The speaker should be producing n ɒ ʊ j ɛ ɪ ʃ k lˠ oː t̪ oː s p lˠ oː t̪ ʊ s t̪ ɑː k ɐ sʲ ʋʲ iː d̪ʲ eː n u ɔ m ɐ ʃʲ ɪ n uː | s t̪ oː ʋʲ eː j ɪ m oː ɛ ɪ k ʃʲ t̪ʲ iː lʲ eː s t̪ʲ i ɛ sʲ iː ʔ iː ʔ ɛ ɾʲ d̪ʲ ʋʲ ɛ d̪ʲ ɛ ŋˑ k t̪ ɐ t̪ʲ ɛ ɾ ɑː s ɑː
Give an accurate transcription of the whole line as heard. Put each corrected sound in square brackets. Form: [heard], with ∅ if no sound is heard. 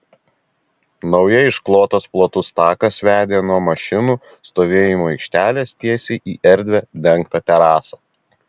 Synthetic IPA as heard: n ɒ ʊ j ɛ ɪ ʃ k lˠ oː t̪ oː s p lˠ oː t̪ ʊ s t̪ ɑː k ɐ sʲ ʋʲ [æː] d̪ʲ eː n u ɔ m ɐ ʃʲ ɪ n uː | s t̪ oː ʋʲ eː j ɪ m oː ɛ ɪ k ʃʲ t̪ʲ [æː] lʲ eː s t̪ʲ i ɛ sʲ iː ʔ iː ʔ ɛ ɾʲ d̪ʲ ʋʲ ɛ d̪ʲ ɛ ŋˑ k t̪ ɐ t̪ʲ ɛ ɾ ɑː s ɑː